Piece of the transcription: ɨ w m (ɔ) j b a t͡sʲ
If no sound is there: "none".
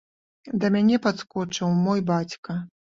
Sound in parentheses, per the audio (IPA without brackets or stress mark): ɔ